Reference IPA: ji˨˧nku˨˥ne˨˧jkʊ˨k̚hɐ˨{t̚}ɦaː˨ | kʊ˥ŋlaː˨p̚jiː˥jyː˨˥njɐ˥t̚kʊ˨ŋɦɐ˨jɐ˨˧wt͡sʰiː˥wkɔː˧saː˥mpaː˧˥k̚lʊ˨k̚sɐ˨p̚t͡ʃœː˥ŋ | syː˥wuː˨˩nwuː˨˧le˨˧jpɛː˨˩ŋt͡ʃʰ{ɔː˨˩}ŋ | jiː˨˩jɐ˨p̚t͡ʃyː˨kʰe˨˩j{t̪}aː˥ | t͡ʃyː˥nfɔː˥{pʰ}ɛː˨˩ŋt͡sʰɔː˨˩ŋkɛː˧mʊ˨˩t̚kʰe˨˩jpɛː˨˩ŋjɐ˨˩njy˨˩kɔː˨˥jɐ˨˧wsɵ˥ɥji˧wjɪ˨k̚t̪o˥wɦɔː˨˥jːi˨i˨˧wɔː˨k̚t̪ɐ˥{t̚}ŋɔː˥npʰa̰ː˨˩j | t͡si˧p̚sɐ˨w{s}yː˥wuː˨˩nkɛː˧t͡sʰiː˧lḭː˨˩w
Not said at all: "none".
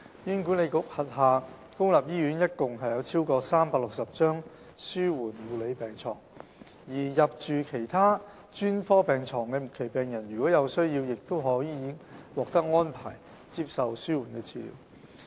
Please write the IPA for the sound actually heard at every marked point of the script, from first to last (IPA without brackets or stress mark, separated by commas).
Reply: t̚, ɔː˨˩, t̪ʰ, p, k̚, s